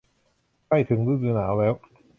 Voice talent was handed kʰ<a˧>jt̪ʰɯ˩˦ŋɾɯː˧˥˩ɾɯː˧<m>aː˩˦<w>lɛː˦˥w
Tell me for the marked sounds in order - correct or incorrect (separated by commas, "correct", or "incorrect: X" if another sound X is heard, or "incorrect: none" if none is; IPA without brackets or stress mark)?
incorrect: a˥˩, incorrect: n, correct